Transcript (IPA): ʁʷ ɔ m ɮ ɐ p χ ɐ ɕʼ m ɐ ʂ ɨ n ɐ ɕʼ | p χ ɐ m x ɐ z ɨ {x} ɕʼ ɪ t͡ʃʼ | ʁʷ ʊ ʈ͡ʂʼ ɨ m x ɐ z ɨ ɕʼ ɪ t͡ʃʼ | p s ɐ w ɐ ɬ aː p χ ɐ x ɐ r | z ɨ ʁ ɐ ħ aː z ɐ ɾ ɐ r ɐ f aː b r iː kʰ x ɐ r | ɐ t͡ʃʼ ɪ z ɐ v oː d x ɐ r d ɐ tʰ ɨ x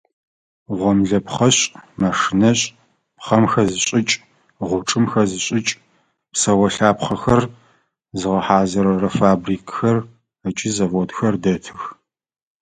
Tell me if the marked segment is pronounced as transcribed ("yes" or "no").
no